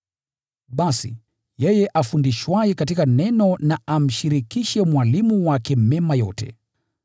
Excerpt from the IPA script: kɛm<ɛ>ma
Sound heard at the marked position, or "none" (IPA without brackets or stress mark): ɛ